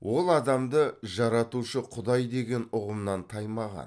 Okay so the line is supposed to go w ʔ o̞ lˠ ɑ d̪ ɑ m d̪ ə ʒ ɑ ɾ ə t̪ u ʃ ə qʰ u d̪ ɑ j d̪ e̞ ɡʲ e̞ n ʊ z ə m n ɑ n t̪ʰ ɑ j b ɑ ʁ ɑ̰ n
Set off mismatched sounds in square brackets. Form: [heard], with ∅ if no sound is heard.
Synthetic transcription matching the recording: w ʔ o̞ lˠ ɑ d̪ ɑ m d̪ ə ʒ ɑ ɾ [ɑ] t̪ u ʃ ə qʰ [ʊ] d̪ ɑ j d̪ e̞ ɡʲ e̞ n ʊ [ʁ] ə m n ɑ n t̪ʰ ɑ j [m] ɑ ʁ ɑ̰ n